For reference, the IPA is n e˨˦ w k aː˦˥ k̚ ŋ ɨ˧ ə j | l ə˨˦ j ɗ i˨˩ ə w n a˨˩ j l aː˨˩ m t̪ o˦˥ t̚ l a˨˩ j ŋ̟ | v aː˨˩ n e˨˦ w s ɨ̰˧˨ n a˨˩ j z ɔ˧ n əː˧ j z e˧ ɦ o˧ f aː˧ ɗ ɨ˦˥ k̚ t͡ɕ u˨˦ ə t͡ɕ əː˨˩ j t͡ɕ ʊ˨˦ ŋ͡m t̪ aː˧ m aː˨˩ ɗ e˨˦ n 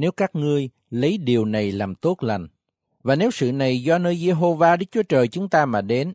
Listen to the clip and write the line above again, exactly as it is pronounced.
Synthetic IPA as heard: n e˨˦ w k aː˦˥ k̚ ŋ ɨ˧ ə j | l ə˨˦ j ɗ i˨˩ ə w n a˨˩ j l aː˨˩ m t̪ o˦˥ t̚ l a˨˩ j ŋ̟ | v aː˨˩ n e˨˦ w s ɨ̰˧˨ n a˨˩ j z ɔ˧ n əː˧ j z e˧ ɦ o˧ v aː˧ ɗ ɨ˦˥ k̚ t͡ɕ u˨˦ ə t͡ɕ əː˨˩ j t͡ɕ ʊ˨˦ ŋ͡m t̪ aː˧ m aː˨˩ ɗ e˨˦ n